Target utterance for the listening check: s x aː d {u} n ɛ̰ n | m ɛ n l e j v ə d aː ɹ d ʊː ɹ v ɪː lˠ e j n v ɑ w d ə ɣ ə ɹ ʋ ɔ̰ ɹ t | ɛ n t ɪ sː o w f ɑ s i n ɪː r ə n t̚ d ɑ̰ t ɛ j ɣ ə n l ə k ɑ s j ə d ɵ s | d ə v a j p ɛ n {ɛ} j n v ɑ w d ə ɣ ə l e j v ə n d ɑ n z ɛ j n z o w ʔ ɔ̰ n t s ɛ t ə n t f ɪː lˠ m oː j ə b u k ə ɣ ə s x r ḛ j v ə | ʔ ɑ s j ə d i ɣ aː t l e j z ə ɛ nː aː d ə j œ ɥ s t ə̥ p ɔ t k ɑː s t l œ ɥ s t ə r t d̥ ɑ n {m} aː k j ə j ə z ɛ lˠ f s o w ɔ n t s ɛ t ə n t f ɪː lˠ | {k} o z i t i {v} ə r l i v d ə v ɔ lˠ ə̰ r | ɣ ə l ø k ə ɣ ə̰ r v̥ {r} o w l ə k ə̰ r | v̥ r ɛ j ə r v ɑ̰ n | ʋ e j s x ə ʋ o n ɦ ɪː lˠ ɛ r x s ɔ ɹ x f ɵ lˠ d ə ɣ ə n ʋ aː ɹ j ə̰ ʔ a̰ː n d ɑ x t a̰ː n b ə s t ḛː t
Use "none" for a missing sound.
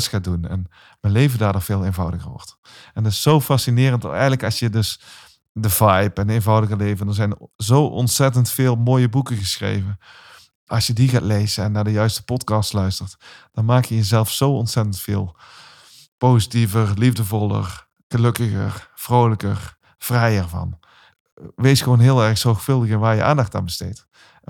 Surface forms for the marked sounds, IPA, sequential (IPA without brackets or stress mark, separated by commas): u, e, m, p, v, r